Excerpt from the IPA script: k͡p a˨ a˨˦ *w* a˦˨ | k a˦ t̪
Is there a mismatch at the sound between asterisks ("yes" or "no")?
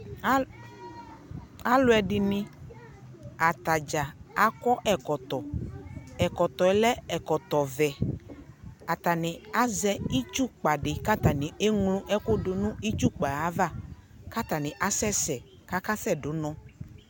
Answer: yes